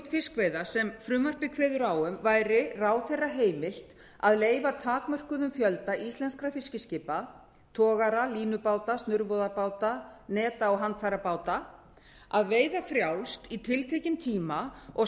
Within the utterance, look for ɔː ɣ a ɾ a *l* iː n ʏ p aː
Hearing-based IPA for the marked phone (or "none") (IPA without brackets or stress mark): l